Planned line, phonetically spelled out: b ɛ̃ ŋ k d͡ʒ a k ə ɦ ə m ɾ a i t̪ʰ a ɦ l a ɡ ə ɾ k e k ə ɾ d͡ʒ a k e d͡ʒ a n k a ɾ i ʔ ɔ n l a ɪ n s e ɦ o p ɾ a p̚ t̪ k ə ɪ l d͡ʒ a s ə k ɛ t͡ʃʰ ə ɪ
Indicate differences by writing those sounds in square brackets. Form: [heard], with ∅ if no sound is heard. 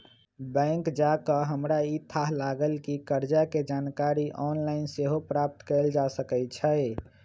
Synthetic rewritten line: b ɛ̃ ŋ k d͡ʒ a k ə ɦ ə m ɾ a i t̪ʰ a ɦ l a ɡ ə [l] k [i] k ə ɾ d͡ʒ a k e d͡ʒ a n k a ɾ i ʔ ɔ n l a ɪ n s e ɦ o p ɾ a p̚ t̪ k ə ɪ l d͡ʒ a s ə k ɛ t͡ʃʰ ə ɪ